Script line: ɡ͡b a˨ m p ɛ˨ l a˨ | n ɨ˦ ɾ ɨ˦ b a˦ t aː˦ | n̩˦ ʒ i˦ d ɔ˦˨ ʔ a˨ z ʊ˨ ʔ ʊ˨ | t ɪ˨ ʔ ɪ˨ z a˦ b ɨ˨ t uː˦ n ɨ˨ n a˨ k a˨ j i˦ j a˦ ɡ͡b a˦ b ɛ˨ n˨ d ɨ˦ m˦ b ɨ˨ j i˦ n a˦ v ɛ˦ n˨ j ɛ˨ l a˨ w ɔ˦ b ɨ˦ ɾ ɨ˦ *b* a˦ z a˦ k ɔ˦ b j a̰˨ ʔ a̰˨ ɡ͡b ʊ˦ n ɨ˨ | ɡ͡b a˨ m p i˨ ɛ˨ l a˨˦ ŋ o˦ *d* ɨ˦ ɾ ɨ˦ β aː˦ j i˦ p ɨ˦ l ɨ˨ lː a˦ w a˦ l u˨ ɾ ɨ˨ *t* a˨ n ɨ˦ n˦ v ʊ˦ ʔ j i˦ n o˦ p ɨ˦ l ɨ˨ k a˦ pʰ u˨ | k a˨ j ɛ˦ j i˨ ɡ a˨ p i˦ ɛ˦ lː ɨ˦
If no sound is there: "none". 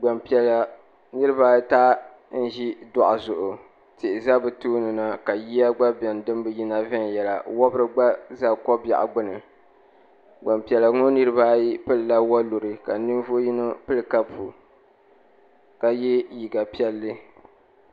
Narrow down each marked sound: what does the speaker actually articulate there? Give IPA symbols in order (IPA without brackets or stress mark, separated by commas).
ɡ͡b, n, k